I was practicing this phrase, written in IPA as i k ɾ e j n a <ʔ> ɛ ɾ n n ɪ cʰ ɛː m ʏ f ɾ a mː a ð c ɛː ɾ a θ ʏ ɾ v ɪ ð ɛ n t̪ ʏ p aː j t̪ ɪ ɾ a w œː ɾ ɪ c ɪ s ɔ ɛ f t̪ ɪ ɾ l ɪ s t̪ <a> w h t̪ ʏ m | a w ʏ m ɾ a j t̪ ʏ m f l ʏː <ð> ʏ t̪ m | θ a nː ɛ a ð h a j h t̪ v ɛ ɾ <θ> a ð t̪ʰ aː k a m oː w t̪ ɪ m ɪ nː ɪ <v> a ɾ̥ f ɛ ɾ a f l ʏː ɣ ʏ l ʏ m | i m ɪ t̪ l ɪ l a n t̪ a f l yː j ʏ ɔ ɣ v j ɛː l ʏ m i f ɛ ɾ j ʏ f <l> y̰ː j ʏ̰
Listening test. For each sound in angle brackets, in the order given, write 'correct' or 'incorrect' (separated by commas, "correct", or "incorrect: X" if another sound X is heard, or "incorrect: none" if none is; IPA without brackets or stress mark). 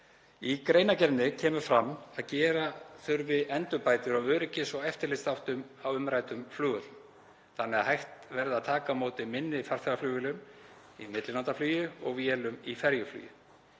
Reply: incorrect: c, correct, incorrect: ɣ, incorrect: ð, incorrect: f, correct